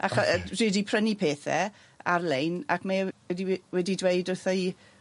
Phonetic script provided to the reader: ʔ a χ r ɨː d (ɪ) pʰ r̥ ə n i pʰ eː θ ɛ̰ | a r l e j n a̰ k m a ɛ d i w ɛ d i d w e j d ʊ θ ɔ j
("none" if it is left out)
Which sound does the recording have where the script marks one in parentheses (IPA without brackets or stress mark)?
i